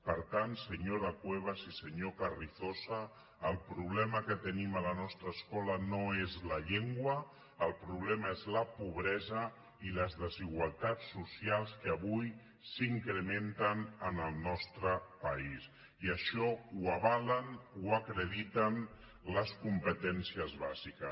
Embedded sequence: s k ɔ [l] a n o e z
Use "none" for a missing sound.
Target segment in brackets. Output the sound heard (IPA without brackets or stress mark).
l